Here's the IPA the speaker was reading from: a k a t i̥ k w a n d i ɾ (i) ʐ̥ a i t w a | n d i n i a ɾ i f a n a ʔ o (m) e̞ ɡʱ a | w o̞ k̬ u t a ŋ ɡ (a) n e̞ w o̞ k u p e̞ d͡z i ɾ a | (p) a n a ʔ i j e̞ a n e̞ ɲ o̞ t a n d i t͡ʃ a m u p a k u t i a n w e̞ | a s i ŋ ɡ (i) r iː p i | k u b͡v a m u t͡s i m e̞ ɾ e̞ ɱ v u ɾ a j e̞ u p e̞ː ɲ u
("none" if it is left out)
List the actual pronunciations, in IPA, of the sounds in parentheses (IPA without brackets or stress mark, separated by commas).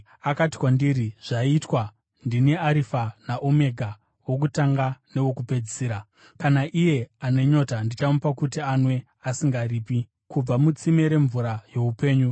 i, m, a, k, a